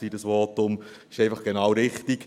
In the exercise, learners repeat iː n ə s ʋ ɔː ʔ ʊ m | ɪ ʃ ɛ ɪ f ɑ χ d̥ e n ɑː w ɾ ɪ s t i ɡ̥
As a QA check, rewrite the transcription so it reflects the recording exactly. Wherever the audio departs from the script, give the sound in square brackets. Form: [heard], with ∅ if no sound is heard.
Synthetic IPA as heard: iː [d] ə s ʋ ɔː [t] ʊ m | ɪ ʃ ɛ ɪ f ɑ χ [ɡ̥] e n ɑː w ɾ ɪ [χ] t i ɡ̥

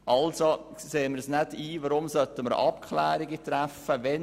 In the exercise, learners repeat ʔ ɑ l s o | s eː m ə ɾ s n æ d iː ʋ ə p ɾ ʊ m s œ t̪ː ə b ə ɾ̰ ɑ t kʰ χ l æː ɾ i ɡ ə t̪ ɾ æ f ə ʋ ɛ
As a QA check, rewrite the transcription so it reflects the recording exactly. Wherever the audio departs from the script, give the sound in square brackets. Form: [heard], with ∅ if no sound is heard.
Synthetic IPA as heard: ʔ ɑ l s o | s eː m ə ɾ s n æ d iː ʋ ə [∅] ɾ ʊ m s œ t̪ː ə [m] ə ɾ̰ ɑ [p] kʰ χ l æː ɾ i ɡ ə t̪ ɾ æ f ə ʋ ɛ

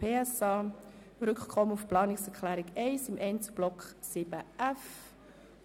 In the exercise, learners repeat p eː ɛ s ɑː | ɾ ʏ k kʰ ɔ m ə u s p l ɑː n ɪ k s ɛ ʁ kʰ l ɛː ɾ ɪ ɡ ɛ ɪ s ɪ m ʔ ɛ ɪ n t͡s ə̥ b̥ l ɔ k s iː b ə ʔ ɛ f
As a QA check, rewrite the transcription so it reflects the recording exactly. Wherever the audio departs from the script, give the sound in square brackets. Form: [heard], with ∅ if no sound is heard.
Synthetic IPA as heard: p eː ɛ s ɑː | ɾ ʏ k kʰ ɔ m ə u [f] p l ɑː n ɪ k s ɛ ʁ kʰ l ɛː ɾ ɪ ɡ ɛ ɪ s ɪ m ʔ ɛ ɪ n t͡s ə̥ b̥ l ɔ k s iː b ə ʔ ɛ f

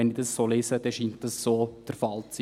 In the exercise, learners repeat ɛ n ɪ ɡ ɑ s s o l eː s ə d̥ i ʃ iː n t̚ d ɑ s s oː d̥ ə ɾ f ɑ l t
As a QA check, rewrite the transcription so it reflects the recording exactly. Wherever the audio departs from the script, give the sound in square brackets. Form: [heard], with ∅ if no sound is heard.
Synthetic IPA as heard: ɛ n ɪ [d] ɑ s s o l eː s ə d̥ [ɛ] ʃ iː n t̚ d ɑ s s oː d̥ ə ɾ f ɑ l [t͡s]

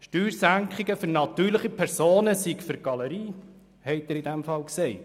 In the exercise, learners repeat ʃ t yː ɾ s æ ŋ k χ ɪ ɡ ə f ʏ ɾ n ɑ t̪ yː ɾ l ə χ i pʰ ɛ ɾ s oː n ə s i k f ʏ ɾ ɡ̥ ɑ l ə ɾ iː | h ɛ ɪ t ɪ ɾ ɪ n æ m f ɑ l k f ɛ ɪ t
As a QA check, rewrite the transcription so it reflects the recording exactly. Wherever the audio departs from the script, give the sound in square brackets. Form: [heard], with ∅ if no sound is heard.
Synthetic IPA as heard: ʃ t yː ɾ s æ ŋ k χ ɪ ɡ ə f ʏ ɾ n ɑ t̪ yː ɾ l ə χ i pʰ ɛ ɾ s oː n ə s i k f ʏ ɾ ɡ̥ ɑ l ə ɾ iː | h ɛ ɪ t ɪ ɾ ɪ [d] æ m f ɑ l k [s] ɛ ɪ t

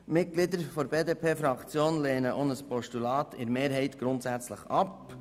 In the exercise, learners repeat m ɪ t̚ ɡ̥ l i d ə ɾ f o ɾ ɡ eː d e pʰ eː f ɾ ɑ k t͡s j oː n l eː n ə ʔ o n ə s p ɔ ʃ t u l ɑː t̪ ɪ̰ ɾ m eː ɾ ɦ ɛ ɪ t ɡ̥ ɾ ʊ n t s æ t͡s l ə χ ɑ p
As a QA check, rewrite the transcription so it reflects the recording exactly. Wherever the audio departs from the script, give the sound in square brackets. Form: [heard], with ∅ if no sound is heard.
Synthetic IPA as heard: m ɪ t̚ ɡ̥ l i d ə ɾ f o ɾ [b] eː d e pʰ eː f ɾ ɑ k t͡s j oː n l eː n ə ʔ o n ə s p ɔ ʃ t u l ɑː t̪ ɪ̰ ɾ m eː ɾ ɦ ɛ ɪ t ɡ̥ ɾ ʊ n t s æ t͡s l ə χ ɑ p

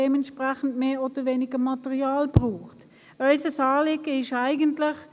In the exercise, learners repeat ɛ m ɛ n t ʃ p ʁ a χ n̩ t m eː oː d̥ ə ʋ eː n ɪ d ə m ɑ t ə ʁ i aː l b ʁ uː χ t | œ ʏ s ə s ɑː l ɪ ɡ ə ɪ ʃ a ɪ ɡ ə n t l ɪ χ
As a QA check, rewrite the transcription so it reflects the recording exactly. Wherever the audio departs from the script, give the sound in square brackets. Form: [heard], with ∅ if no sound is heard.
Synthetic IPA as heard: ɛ m ɛ n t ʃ p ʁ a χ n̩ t m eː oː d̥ ə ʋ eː n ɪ [ɡ] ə m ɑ t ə ʁ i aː l b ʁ uː χ t | œ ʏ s ə s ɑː l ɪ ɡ ə ɪ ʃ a ɪ ɡ ə n t l ɪ χ

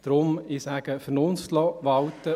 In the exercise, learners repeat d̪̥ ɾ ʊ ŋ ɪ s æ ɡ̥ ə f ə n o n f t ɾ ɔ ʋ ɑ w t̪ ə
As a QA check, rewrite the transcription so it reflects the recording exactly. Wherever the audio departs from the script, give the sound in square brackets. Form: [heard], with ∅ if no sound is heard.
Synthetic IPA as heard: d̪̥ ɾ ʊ [m] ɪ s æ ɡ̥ ə f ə n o n [s] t [l] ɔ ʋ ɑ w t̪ ə

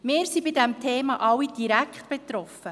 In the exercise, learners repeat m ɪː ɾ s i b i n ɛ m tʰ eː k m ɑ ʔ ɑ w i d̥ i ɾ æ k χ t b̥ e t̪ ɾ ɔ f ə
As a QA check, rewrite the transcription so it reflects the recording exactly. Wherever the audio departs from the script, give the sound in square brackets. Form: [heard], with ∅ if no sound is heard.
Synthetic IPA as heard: m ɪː ɾ s i b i [d] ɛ m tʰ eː [∅] m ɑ ʔ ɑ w i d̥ i ɾ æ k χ t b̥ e t̪ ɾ ɔ f ə

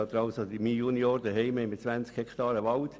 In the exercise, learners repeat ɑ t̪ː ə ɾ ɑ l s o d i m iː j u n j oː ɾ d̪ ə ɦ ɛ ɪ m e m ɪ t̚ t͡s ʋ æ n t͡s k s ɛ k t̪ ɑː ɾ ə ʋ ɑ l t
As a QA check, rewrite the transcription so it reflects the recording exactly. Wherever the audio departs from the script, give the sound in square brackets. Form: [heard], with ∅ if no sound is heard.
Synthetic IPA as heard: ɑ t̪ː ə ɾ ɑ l s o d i m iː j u n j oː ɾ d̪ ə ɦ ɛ ɪ m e m ɪ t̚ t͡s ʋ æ n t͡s k [h] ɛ k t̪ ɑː ɾ ə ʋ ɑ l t

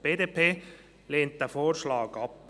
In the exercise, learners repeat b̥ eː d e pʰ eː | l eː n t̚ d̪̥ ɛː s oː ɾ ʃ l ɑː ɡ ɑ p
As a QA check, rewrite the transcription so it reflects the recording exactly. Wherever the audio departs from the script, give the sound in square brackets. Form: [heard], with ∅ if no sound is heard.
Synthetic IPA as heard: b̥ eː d e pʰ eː | l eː n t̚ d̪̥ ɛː [f] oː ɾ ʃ l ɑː ɡ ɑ p

